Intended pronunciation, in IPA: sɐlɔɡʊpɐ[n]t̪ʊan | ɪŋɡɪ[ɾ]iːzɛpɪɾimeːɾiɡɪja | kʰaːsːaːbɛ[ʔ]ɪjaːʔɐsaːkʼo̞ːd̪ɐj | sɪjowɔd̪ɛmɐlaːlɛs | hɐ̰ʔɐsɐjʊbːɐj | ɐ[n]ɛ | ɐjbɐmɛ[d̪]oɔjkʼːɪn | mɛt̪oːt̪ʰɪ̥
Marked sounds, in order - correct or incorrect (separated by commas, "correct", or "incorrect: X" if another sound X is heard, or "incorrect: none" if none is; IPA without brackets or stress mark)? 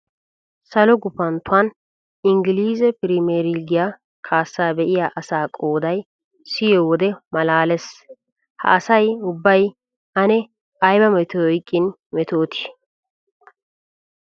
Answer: correct, incorrect: l, correct, correct, incorrect: t̪